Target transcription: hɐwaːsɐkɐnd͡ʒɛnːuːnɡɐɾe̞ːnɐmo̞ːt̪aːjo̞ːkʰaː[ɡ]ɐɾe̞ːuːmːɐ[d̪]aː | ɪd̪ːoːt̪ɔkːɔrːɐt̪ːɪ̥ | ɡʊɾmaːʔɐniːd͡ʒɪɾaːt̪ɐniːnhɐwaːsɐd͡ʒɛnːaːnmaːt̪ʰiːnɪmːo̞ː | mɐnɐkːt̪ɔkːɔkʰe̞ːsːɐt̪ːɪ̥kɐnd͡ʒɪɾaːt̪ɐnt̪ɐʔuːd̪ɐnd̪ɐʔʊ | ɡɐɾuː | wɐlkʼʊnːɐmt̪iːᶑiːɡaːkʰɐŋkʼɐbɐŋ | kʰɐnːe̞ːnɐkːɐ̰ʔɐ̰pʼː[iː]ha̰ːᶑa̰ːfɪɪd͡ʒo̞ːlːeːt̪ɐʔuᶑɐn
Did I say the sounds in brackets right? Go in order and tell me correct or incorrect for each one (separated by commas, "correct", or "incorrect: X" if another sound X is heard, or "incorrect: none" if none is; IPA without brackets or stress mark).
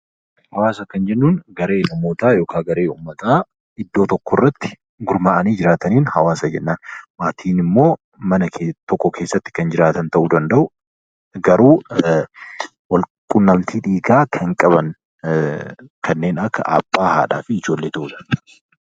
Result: correct, incorrect: t̪, incorrect: aː